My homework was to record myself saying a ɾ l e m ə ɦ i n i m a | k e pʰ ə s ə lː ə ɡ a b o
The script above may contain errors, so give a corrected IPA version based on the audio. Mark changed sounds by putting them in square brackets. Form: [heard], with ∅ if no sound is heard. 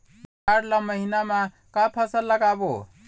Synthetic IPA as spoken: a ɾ l [a] m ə ɦ i n [a] m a | k [a] pʰ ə s ə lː ə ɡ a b o